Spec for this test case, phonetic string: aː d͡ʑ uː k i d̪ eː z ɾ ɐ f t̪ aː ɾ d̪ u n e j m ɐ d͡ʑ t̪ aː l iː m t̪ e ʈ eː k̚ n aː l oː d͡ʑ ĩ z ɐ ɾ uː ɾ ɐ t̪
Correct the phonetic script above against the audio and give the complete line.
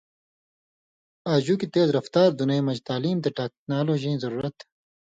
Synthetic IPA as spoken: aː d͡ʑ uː k i t̪ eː z ɾ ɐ f t̪ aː ɾ d̪ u n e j m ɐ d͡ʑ t̪ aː l iː m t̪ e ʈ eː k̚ n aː l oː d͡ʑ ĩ z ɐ ɾ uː ɾ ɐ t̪